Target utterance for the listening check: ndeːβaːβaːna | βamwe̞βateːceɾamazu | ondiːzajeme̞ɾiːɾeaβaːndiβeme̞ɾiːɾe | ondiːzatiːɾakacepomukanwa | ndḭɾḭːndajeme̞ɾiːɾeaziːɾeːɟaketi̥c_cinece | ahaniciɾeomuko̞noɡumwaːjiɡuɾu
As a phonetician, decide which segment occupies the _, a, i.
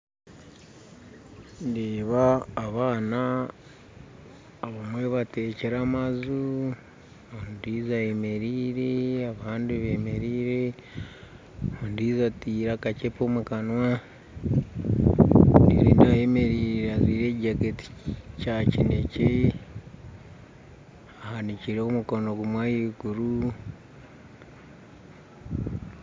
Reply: a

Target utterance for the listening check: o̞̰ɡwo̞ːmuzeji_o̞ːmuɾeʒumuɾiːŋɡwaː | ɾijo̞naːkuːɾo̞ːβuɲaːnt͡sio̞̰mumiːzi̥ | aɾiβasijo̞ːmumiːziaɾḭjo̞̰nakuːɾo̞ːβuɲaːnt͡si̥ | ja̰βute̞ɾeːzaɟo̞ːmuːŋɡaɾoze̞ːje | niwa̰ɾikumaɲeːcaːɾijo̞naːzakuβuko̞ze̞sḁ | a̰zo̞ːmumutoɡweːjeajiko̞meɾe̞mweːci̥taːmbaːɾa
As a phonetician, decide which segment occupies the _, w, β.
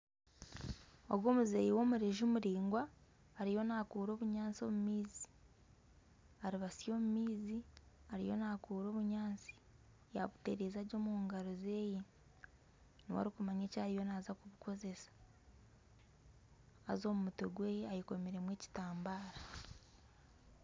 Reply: w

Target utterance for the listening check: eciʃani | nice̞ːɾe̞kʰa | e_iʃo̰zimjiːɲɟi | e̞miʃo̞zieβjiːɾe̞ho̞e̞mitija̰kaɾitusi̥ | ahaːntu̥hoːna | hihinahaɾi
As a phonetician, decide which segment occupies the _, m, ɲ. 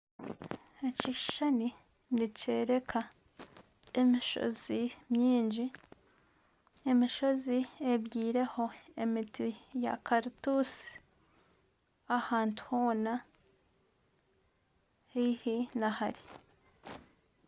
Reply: m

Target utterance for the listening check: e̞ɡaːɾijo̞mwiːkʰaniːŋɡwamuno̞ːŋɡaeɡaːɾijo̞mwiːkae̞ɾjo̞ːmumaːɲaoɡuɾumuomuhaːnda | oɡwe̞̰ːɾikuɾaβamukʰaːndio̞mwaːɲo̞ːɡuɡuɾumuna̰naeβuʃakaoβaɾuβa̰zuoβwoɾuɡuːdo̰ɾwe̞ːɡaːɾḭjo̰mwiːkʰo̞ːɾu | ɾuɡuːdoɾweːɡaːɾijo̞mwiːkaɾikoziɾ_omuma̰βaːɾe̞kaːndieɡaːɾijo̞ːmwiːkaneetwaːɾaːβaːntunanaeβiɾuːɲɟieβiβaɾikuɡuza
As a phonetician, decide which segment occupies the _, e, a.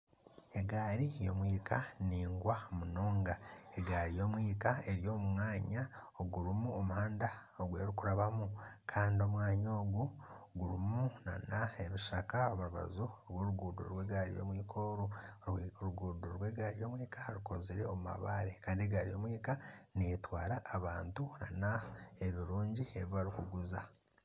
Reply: e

